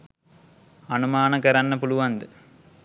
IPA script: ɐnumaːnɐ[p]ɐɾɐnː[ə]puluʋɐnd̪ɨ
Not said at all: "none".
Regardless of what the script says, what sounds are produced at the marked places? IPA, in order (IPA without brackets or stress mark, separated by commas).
k, ɐ